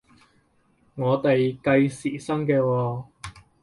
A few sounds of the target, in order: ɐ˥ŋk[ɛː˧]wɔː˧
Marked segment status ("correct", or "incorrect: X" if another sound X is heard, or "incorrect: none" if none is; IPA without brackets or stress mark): correct